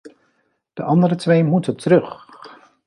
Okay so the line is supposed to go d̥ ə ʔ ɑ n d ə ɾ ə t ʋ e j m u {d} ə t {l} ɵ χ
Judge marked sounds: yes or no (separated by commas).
no, no